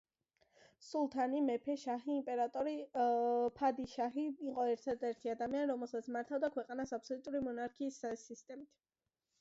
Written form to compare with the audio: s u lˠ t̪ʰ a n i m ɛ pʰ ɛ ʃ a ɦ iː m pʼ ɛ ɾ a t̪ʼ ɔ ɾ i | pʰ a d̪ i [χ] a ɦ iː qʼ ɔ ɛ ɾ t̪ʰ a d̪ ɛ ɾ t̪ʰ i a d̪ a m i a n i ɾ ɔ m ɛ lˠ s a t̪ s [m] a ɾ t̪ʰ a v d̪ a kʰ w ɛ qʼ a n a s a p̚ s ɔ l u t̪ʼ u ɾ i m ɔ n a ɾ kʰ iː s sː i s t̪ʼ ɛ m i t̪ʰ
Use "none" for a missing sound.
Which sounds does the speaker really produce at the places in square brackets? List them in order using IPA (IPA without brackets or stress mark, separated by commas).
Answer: ʃ, m